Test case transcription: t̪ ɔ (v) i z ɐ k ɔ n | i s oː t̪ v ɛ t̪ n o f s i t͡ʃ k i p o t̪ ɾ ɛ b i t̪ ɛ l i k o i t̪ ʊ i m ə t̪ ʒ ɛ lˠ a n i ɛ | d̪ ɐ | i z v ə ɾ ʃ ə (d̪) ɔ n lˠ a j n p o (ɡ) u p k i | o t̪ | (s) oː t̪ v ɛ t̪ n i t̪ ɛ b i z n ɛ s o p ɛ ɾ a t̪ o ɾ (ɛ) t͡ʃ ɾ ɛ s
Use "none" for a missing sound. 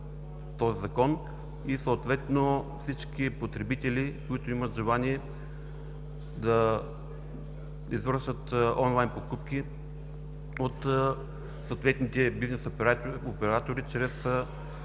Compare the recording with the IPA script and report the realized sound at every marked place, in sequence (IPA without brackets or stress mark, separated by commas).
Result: z, t̪, k, s, i